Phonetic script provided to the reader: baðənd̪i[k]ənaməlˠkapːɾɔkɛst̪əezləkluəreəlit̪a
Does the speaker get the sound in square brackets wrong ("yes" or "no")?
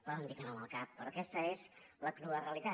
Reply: no